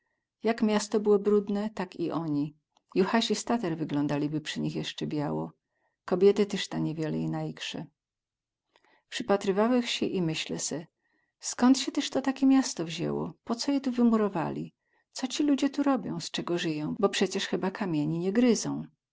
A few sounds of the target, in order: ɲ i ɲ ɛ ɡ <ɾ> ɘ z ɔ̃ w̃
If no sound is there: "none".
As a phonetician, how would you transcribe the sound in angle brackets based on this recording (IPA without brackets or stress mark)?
ɾ